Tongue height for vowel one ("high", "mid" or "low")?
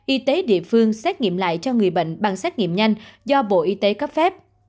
high